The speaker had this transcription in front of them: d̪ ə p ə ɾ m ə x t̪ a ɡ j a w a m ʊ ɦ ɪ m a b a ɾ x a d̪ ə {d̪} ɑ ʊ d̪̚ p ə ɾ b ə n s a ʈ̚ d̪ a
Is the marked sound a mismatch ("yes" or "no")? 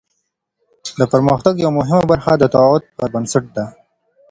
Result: yes